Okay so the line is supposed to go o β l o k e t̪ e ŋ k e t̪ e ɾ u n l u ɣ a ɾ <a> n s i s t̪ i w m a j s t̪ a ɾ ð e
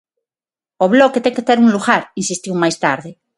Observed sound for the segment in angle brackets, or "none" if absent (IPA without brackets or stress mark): i